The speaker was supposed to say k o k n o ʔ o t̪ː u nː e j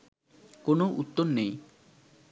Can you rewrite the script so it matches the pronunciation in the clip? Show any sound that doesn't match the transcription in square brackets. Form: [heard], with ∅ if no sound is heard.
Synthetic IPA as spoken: k o [∅] n o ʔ [u] t̪ː [o] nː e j